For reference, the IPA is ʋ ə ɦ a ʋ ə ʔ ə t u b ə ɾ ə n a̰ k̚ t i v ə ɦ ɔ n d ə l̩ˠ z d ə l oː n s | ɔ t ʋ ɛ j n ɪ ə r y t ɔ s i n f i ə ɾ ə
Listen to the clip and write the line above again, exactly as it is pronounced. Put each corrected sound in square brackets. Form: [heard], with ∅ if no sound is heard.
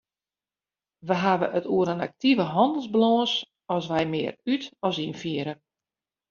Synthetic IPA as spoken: ʋ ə ɦ a ʋ ə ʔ ə t u [∅] ə ɾ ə n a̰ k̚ t i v ə ɦ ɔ n d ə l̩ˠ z [b] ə l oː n s | ɔ [s] ʋ ɛ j [m] ɪ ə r y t ɔ s i n f i ə ɾ ə